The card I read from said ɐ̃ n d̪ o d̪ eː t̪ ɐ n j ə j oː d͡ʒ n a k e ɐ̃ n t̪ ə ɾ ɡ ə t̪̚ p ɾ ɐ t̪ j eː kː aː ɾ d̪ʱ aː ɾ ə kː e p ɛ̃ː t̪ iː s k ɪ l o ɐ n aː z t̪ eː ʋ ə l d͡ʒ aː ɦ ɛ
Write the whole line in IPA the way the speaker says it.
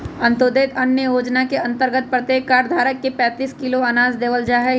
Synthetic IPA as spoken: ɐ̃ n t̪ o d̪ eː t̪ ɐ n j ə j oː d͡ʒ n a k e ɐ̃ n t̪ ə ɾ ɡ ə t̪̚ p ɾ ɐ t̪ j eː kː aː ɾ d̪ʱ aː ɾ ə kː e p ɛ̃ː t̪ iː s k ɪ l o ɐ n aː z d̪ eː ʋ ə l d͡ʒ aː ɦ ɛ